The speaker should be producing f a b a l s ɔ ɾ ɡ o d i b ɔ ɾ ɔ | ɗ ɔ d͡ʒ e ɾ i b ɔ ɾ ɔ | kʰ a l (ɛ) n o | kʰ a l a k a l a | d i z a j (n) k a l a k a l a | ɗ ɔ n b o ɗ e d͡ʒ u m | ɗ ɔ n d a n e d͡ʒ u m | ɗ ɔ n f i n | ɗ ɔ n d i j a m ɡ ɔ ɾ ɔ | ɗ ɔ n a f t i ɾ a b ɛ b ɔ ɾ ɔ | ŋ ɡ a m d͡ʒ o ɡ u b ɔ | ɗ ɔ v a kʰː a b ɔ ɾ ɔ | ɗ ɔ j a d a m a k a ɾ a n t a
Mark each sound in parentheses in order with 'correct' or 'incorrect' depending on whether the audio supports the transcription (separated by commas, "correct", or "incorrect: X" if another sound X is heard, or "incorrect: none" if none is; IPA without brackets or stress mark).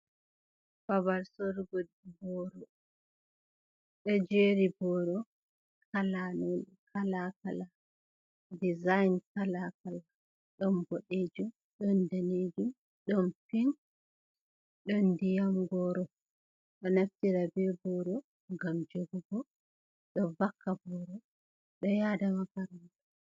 incorrect: a, correct